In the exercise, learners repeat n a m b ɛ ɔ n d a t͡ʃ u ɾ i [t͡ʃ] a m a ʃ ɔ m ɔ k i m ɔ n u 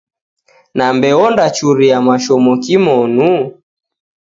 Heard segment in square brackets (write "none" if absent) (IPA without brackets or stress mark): none